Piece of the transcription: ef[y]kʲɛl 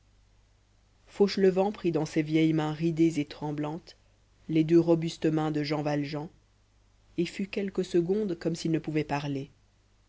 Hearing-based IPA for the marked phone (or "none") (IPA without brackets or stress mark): y